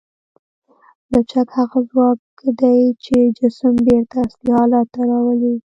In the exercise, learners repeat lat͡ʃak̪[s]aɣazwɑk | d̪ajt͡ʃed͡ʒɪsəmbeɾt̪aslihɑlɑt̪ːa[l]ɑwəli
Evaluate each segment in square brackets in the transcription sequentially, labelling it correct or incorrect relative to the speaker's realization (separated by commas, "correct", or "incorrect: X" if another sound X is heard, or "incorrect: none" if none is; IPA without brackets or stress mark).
incorrect: h, incorrect: ɾ